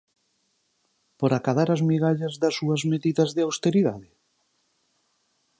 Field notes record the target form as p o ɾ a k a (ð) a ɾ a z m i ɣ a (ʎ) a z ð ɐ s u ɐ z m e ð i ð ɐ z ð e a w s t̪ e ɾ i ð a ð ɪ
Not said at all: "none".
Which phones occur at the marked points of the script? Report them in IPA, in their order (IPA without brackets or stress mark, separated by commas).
ð, ʎ